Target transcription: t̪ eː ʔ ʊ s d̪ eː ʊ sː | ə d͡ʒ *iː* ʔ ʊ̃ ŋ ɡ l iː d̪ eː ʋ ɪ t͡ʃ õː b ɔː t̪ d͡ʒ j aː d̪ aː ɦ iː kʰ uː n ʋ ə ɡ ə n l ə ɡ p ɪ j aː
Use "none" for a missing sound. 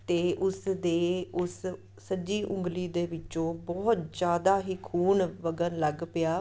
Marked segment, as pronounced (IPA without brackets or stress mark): iː